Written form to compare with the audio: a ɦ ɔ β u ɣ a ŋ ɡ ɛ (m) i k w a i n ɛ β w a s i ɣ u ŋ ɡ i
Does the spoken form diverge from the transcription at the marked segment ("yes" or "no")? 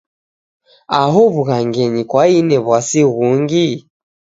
yes